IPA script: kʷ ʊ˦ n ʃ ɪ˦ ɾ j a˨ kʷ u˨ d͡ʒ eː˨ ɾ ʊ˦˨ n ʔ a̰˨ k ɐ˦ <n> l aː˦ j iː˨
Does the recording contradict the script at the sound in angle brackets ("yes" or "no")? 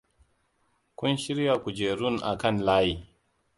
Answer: no